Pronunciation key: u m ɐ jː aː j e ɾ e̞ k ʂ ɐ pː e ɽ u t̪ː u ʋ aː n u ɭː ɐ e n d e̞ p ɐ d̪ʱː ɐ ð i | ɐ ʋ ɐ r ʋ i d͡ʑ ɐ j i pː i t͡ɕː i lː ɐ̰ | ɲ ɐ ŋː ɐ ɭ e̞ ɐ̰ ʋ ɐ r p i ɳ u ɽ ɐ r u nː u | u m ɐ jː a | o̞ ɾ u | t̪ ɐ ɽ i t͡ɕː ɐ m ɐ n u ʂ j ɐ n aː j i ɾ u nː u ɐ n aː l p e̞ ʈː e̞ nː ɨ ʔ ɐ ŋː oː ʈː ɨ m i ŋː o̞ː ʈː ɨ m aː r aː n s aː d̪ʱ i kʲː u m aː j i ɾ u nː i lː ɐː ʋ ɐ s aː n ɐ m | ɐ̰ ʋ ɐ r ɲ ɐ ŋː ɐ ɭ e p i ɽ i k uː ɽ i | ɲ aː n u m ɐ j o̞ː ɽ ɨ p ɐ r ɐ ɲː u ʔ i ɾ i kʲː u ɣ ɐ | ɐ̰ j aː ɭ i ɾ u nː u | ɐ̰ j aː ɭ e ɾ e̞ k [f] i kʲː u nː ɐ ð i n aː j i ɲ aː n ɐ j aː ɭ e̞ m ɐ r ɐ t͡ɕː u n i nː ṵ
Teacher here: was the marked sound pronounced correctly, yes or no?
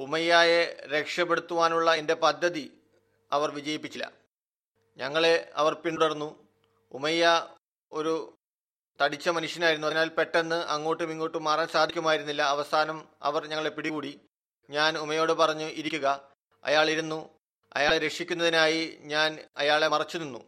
no